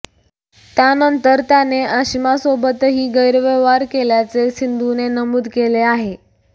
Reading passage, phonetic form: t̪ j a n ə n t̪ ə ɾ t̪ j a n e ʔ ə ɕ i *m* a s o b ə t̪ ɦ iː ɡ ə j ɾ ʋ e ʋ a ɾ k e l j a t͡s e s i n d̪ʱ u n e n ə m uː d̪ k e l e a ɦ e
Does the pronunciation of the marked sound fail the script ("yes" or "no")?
no